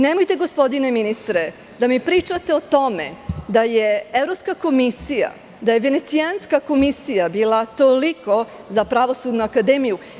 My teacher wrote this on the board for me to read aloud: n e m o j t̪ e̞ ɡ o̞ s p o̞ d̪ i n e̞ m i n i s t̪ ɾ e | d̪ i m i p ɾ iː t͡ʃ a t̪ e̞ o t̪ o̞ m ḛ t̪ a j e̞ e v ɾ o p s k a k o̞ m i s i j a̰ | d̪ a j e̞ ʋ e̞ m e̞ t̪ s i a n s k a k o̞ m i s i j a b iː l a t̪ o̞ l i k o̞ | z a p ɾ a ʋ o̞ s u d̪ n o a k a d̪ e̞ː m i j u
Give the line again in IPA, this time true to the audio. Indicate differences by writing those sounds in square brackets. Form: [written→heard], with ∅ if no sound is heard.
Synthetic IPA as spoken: n e m o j t̪ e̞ ɡ o̞ s p o̞ d̪ i n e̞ m i n i s t̪ ɾ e | d̪ [i→a] m i p ɾ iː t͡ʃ a t̪ e̞ o t̪ o̞ m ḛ [t̪→d̪] a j e̞ e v ɾ o p s k a k o̞ m i s i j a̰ | d̪ a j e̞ ʋ e̞ [m→n] e̞ t̪ s i a n s k a k o̞ m i s i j a b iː l a t̪ o̞ l i k o̞ | z a p ɾ a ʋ o̞ s u d̪ n [o→u] a k a d̪ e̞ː m i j u

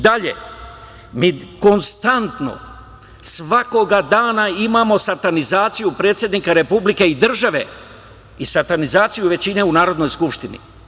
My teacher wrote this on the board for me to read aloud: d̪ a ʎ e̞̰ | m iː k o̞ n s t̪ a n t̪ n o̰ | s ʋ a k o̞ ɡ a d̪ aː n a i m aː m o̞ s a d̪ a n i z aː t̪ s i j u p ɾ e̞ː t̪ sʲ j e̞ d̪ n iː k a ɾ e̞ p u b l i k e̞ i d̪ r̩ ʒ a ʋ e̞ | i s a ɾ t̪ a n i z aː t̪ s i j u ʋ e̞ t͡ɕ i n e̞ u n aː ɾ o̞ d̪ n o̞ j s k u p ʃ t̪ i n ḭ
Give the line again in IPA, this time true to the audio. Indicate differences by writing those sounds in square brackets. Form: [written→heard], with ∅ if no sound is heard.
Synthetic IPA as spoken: d̪ a ʎ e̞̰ | m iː k o̞ n s t̪ a n t̪ n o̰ | s ʋ a k o̞ ɡ a d̪ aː n a i m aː m o̞ s a [d̪→t̪] a n i z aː t̪ s i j u p ɾ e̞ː t̪ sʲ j e̞ d̪ n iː k a ɾ e̞ p u b l i k e̞ i d̪ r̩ ʒ a ʋ e̞ | i s a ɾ t̪ a n i z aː t̪ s i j u ʋ e̞ t͡ɕ i n e̞ u n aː ɾ o̞ d̪ n o̞ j s k u p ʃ t̪ i n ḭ

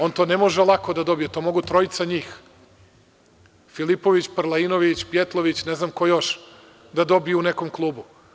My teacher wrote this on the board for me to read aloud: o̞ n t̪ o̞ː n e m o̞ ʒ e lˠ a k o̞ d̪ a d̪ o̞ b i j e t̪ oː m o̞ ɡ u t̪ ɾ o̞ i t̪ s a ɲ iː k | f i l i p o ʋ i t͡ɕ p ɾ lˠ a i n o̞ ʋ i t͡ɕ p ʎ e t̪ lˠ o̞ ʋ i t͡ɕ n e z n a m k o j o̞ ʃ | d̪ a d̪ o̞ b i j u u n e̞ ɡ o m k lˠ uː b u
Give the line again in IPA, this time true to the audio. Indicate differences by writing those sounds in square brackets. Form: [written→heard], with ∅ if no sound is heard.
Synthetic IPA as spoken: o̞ n t̪ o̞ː n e m o̞ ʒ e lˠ a k o̞ d̪ a d̪ o̞ b i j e t̪ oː m o̞ ɡ u t̪ ɾ o̞ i t̪ s a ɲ iː [k→x] | f i l i p o ʋ i t͡ɕ p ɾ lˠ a i n o̞ ʋ i t͡ɕ p [ʎ→j] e t̪ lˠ o̞ ʋ i t͡ɕ n e z n a m k o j o̞ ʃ | d̪ a d̪ o̞ b i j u u n e̞ [ɡ→k] o m k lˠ uː b u

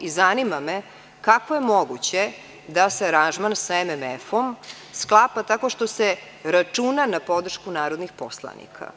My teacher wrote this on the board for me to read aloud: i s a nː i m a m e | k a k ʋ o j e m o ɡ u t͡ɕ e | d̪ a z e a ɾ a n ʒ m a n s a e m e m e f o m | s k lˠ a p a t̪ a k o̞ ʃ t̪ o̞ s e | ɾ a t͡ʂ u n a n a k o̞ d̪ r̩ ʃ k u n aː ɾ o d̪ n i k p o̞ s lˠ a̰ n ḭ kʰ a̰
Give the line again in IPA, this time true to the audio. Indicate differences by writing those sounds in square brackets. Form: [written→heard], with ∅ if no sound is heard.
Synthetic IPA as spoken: i [s→z] a [nː→n] i m a m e | k a k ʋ o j e m o ɡ u t͡ɕ e | d̪ a [z→s] e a ɾ a n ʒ m a n s a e m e m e f o m | s k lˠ a p a t̪ a k o̞ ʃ t̪ o̞ s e | ɾ a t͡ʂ u n a n a [k→p] o̞ d̪ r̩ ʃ k u n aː ɾ o d̪ n i [k→x] p o̞ s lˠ a̰ n ḭ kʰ a̰

